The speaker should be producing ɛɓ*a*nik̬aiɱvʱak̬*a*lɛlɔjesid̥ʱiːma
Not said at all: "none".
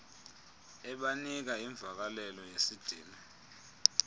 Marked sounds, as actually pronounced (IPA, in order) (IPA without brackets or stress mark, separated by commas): a, a